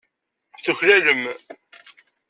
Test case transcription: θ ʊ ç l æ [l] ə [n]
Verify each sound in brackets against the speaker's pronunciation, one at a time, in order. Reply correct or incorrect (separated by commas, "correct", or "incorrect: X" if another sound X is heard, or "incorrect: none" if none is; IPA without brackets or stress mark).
correct, incorrect: m